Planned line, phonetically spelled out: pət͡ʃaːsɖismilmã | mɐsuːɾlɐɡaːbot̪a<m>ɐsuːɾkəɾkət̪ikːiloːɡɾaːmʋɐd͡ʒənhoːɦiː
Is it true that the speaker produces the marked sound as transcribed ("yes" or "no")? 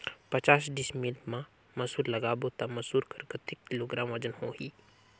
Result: yes